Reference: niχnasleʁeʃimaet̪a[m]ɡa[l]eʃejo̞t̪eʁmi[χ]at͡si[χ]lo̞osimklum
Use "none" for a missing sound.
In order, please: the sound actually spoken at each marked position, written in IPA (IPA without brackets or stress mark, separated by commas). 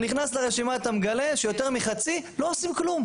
m, l, χ, none